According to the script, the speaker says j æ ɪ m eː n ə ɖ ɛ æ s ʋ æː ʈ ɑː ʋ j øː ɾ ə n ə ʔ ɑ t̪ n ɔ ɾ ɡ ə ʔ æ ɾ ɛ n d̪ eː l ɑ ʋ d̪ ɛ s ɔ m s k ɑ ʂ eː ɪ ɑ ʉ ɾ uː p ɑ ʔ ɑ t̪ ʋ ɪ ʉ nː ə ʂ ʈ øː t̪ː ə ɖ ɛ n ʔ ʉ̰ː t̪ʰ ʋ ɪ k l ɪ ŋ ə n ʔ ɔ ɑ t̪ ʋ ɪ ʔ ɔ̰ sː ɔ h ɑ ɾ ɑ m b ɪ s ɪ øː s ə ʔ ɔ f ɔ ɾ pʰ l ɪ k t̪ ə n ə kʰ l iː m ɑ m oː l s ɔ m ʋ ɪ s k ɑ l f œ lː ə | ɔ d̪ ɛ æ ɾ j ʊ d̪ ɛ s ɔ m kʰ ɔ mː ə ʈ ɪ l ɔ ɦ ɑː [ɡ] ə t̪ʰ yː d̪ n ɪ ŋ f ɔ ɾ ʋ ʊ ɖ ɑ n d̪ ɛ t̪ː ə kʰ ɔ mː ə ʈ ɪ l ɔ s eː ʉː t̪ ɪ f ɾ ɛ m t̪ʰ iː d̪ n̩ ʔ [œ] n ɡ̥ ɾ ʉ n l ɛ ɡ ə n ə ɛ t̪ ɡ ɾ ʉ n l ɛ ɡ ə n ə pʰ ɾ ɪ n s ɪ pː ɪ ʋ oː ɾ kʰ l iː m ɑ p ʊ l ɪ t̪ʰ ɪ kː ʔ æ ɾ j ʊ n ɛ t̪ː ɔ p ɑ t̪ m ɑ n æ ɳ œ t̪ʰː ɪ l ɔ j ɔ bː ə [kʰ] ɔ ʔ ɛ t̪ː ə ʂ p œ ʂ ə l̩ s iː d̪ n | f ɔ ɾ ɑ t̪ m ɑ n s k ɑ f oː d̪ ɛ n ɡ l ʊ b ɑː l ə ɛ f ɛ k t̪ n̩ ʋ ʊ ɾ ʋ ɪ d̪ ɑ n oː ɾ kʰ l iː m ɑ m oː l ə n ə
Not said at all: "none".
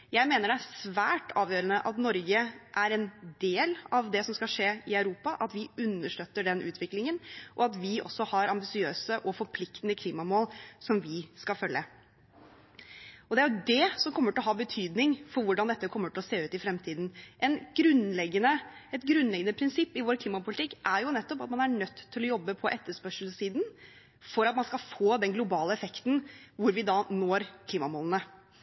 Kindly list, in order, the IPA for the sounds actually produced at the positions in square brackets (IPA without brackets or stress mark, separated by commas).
b, ɛ, pʰ